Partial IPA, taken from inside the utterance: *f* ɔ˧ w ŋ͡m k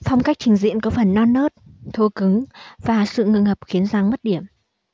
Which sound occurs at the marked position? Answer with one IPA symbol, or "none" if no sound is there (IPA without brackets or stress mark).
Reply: f